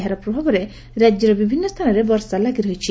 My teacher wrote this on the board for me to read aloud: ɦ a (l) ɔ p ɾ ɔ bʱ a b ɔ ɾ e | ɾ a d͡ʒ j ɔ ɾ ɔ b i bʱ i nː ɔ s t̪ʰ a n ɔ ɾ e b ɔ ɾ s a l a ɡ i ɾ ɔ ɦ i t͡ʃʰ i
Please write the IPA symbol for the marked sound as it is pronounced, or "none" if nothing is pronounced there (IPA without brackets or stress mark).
ɾ